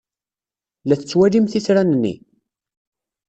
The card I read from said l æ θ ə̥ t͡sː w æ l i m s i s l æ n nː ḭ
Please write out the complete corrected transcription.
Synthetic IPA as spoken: l æ θ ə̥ t͡sː w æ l i m θ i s ɾ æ n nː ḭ